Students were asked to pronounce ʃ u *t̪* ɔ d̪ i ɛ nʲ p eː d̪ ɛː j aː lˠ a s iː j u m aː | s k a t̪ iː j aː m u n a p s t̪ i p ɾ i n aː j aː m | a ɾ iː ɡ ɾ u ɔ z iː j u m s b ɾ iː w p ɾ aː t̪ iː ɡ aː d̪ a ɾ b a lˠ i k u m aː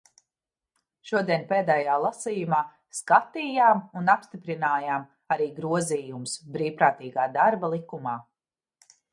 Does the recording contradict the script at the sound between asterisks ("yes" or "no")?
yes